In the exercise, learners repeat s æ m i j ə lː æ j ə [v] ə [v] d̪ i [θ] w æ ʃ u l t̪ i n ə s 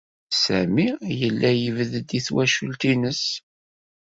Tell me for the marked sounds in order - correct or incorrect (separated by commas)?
correct, incorrect, correct